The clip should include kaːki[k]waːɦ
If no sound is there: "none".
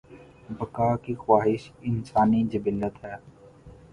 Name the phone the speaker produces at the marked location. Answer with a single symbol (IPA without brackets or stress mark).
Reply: x